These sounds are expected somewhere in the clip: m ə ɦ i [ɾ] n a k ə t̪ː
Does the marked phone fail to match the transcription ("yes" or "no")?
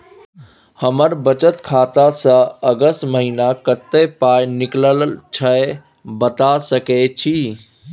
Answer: yes